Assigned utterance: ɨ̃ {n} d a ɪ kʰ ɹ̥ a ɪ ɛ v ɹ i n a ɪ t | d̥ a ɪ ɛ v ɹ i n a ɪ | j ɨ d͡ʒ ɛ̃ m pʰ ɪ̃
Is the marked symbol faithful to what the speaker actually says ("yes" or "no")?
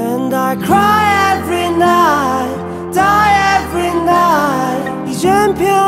yes